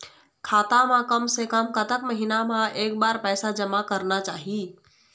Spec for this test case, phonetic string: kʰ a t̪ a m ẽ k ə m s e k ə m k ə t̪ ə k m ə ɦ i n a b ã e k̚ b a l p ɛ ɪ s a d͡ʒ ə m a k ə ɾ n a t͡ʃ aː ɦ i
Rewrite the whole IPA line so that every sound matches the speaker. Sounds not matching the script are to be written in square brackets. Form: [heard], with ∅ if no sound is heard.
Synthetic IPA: kʰ a t̪ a m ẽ k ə m s e k ə m k ə t̪ ə k m ə ɦ i n a [m] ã e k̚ b a [ɾ] p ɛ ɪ s a d͡ʒ ə m a k ə ɾ n a t͡ʃ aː ɦ i